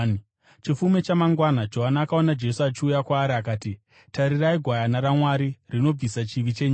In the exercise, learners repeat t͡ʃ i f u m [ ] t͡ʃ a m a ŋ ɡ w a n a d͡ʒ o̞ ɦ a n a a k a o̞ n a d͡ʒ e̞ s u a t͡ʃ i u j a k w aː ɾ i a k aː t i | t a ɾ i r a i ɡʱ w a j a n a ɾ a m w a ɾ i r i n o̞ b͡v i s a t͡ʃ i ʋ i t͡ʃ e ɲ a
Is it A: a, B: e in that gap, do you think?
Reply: B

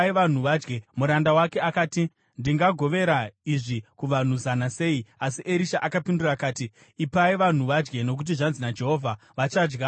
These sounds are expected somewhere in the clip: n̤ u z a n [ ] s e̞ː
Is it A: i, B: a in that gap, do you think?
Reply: B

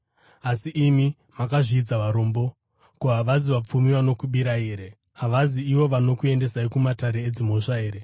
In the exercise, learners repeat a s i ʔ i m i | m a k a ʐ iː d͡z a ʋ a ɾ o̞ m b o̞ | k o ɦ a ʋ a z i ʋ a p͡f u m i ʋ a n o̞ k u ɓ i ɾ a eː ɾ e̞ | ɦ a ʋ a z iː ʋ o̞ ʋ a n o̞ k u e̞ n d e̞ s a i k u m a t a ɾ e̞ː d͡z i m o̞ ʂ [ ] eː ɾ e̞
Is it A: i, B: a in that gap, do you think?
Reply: B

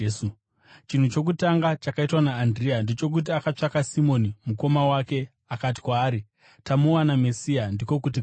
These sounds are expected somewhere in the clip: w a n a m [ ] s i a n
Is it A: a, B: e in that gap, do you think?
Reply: B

